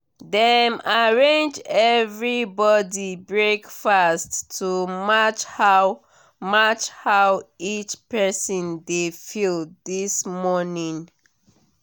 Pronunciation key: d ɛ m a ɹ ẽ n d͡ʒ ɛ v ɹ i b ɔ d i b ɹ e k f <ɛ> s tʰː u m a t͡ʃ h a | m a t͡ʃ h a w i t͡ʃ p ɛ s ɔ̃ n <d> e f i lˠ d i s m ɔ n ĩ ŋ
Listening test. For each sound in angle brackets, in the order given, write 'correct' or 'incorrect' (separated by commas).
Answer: incorrect, correct